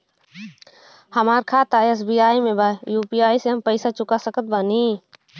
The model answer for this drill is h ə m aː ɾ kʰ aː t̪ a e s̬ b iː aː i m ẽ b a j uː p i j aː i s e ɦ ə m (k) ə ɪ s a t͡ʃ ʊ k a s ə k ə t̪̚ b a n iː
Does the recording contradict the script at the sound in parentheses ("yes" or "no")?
yes